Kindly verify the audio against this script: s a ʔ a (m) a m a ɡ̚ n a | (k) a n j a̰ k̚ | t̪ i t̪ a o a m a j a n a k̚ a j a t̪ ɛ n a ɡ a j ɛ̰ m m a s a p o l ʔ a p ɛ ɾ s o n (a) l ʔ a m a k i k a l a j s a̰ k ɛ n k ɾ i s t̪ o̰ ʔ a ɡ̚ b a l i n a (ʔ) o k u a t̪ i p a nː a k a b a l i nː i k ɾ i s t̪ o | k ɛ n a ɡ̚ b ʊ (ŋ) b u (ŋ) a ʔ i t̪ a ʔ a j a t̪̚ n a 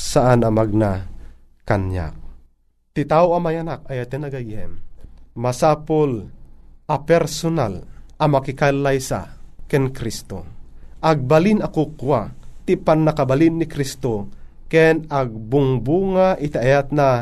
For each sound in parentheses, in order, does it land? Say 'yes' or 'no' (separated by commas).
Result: no, yes, yes, no, yes, yes